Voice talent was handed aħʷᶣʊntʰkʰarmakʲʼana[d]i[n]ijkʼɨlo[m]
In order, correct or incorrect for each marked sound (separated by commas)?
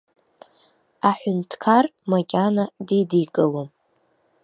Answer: correct, incorrect, correct